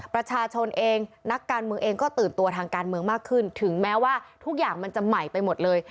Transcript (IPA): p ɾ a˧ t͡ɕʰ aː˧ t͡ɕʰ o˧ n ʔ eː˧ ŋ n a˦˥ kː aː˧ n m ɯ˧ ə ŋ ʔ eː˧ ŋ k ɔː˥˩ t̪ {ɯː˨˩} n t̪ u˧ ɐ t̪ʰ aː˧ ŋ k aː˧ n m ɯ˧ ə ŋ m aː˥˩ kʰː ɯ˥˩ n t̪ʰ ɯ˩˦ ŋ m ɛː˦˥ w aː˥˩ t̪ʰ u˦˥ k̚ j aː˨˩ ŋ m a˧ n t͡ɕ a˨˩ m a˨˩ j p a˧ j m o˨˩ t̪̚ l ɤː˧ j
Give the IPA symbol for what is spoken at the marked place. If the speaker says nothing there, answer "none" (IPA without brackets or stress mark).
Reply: ɯː˨˩